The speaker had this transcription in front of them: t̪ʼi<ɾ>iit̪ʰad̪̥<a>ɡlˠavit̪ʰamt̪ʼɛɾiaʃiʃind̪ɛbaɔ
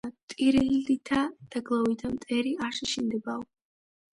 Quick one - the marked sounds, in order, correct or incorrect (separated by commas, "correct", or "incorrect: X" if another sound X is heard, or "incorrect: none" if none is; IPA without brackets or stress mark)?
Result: correct, correct